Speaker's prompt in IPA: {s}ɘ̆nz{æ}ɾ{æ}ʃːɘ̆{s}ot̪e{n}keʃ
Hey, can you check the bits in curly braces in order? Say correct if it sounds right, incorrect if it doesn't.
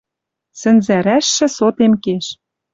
correct, correct, correct, correct, incorrect: m

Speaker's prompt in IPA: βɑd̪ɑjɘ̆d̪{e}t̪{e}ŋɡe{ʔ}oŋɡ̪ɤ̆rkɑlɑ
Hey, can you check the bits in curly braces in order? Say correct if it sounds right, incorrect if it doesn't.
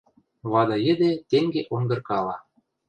correct, correct, correct

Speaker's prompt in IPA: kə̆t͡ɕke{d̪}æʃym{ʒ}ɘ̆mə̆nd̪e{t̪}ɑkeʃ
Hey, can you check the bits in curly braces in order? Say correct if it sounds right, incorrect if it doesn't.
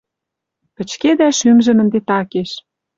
correct, correct, correct

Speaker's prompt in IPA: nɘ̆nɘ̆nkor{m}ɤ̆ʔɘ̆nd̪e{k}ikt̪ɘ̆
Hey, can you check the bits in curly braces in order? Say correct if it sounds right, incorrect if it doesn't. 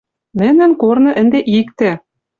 incorrect: n, incorrect: ʔ

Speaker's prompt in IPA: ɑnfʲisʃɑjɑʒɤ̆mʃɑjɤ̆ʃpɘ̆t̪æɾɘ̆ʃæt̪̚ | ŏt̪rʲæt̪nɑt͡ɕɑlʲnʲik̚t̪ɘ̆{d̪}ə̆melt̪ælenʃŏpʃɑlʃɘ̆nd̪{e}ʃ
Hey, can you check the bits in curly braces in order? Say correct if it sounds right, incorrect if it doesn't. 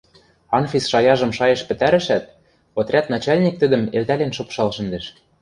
correct, correct

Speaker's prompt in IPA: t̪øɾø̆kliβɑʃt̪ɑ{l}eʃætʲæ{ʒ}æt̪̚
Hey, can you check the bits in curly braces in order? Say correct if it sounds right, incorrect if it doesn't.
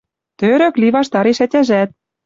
incorrect: ɾ, correct

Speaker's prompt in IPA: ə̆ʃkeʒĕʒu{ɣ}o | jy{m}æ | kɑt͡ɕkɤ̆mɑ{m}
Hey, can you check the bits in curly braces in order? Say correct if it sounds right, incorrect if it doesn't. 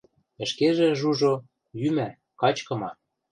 incorrect: ʒ, correct, incorrect: none

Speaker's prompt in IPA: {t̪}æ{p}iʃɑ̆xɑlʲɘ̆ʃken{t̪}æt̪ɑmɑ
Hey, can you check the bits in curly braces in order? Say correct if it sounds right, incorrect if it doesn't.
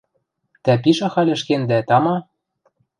correct, correct, incorrect: d̪

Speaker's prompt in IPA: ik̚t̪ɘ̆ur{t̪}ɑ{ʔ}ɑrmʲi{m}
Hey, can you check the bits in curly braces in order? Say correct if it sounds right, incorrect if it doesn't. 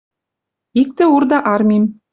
incorrect: d̪, correct, correct

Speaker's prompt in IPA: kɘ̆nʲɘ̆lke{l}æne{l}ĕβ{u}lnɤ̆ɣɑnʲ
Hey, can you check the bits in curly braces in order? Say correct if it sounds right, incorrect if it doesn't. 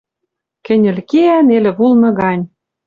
incorrect: none, correct, correct

